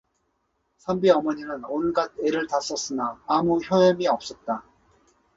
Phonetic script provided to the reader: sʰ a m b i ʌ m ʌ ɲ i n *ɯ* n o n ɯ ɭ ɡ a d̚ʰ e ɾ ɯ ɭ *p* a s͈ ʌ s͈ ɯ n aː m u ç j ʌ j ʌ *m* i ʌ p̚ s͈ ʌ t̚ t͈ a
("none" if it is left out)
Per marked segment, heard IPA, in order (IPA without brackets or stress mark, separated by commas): ɯ, t, m